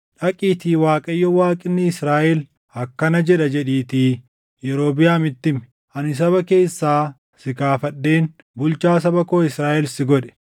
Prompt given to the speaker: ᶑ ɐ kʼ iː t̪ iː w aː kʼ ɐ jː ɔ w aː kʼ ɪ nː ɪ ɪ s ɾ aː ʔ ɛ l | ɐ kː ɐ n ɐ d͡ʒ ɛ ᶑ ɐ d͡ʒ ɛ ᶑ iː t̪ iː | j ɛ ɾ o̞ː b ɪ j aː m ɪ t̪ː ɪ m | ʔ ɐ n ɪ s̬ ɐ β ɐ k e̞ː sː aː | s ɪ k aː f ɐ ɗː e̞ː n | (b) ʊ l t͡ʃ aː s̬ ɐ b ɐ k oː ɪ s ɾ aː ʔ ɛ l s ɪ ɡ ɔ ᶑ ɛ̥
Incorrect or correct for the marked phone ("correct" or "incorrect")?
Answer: correct